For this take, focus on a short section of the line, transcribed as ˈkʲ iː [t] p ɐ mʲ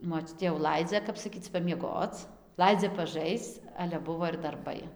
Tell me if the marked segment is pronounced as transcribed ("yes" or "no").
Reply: no